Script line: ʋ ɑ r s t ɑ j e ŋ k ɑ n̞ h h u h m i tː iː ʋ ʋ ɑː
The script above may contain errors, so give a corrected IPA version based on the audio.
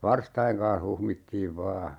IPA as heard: ʋ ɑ r s t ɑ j e ŋ k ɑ n̞ h h u h m i tː iː ʋ ʋ ɑː